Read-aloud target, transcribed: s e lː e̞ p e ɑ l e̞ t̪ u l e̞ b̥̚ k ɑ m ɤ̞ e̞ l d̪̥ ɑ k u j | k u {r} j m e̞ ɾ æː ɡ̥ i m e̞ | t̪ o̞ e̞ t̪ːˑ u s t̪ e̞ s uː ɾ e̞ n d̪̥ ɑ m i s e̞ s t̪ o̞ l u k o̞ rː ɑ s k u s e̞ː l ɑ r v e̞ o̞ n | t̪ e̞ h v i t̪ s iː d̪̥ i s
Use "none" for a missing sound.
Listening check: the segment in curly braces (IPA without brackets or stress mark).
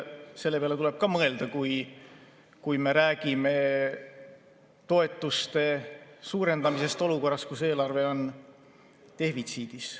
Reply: none